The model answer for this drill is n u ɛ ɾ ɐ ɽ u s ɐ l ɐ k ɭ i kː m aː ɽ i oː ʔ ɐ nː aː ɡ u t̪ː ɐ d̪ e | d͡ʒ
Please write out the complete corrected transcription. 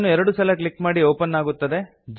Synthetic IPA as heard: n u ɛ ɾ ɐ ɽ u s ɐ l ɐ k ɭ i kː m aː ɽ i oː p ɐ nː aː ɡ u t̪ː ɐ d̪ e | d͡ʒ